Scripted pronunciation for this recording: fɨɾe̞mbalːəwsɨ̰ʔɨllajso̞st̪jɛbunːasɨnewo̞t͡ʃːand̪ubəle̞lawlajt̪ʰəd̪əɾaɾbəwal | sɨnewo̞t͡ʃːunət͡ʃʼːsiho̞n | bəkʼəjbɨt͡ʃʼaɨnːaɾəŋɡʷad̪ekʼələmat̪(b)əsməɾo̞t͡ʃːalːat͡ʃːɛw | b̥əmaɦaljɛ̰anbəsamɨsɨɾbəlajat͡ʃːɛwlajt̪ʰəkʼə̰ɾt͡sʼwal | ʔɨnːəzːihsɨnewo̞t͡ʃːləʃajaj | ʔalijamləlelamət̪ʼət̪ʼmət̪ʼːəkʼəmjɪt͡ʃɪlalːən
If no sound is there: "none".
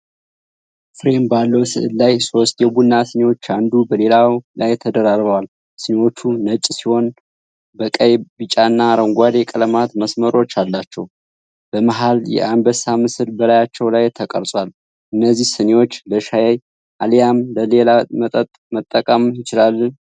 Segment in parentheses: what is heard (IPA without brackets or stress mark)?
m